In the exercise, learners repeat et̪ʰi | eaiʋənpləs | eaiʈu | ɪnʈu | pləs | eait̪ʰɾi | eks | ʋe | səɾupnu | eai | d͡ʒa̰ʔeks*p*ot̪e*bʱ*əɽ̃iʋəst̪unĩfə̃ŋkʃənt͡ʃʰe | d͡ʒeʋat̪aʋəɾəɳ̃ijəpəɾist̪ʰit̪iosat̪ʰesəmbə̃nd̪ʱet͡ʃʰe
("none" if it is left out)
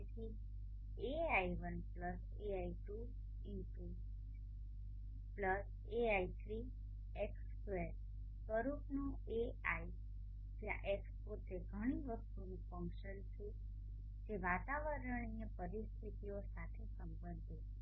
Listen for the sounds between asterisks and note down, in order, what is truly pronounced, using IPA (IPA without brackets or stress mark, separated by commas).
p, ɡʱ